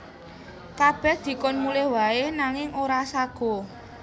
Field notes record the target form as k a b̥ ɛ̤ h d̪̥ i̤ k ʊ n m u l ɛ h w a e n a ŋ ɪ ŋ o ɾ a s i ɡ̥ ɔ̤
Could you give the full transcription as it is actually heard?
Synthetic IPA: k a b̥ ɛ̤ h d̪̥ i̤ k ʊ n m u l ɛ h w a e n a ŋ ɪ ŋ o ɾ a s a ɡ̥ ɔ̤